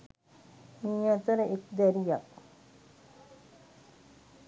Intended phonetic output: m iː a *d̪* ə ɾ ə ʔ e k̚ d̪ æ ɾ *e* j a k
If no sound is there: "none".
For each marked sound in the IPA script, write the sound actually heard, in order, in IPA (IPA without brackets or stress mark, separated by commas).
t̪, i